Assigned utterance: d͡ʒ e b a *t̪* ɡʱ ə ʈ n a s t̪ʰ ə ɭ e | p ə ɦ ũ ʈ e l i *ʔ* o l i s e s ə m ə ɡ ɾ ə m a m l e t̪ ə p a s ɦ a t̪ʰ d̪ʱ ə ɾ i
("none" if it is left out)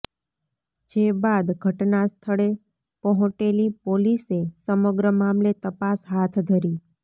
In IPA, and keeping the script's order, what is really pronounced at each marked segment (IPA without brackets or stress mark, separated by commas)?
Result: d̪, p